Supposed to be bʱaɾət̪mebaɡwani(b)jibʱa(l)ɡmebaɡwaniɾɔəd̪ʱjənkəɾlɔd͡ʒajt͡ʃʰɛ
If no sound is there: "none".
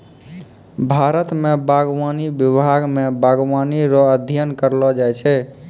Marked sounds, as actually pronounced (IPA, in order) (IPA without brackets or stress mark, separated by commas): b, none